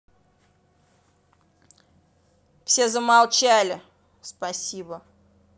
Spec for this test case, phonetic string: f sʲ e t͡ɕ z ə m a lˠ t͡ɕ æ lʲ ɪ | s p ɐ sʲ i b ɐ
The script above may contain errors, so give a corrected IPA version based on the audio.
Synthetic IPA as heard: f sʲ e z ə m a lˠ t͡ɕ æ lʲ ɪ | s p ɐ sʲ i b ə

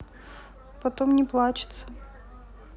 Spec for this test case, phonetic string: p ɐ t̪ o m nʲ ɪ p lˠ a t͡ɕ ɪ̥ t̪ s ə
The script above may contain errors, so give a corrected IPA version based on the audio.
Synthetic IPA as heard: p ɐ t̪ o m nʲ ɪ p lˠ a t͡ɕ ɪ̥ t̪ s ə

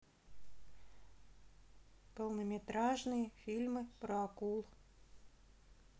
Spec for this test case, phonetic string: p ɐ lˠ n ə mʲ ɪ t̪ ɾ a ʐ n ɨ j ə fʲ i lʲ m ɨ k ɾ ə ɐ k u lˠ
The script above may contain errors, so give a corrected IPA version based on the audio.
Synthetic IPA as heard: p ə lˠ n ə mʲ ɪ t̪ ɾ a ʐ n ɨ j ə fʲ i lʲ m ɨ p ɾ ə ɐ k u lˠ

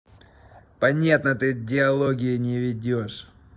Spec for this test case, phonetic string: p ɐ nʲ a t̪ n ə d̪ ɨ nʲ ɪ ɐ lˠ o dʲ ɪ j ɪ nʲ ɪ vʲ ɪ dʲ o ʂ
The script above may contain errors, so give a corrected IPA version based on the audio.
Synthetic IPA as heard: p ɐ nʲ a t̪ n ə t̪ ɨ dʲ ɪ ɐ lˠ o ɡʲ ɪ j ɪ nʲ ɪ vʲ ɪ dʲ o ʂ

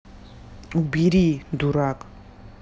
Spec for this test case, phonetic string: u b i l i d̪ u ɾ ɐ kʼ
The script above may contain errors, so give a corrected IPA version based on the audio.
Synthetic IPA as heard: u b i ɾ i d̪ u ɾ a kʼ

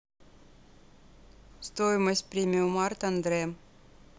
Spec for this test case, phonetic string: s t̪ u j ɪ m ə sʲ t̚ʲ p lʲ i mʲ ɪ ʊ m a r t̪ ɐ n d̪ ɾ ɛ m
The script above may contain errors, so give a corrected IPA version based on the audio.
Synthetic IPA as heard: s t̪ o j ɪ m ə sʲ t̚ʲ p ɾʲ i mʲ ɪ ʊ m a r t̪ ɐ n d̪ ɾ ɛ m

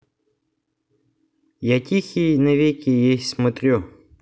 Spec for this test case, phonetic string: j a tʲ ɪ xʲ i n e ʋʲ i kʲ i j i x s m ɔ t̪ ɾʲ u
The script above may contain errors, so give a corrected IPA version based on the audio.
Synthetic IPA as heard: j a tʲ i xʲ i n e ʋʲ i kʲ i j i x s m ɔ t̪ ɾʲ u

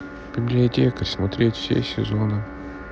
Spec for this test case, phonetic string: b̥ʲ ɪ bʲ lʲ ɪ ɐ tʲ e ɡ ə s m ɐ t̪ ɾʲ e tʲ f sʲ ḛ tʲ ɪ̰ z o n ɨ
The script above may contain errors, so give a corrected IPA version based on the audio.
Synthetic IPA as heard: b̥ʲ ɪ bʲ lʲ ɪ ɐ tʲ e k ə s m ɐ t̪ ɾʲ e tʲ f sʲ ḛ sʲ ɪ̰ z o n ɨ

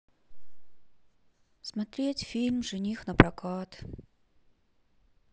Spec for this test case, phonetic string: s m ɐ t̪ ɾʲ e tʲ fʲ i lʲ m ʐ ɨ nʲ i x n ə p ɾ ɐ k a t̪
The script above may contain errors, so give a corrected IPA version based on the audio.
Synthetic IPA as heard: s m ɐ t̪ ɾʲ e tʲ fʲ i lʲ m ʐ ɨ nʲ i x n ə p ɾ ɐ k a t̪

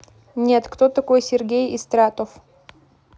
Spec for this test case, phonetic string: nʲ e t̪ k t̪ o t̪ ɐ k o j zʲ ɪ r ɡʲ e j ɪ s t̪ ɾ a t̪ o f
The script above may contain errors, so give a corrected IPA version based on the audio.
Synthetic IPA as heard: nʲ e t̪ k t̪ o t̪ ɐ k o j sʲ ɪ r ɡʲ e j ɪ s t̪ ɾ a t̪ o f

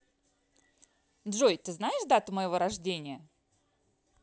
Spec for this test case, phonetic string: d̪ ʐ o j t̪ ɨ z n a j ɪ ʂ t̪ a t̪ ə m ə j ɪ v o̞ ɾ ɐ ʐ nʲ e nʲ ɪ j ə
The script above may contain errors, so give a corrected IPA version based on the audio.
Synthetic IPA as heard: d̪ ʐ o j t̪ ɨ z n a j ɪ ʂ d̪ a t̪ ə m ə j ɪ v o̞ ɾ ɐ ʐ dʲ e nʲ ɪ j ə

